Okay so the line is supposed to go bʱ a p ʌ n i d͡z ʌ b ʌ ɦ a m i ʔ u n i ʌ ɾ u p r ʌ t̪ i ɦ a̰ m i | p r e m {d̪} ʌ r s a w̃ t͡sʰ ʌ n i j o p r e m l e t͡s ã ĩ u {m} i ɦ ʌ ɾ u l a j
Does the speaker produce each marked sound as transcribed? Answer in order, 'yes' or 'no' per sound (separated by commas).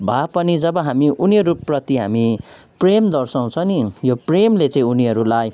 yes, no